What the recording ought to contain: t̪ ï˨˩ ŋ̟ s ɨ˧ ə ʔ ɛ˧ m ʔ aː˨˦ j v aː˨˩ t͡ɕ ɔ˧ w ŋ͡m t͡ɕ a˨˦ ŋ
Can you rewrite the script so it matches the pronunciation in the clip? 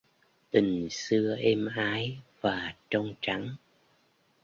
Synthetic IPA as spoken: t̪ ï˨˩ ŋ̟ s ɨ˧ ə ʔ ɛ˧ m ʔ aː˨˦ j v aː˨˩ t͡ɕ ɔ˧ w ŋ͡m t͡ɕ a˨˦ ŋ